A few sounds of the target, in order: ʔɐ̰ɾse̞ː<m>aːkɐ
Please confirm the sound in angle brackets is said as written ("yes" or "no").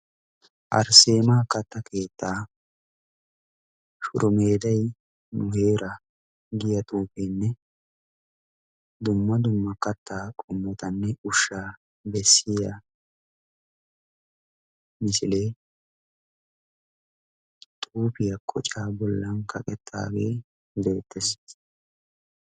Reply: yes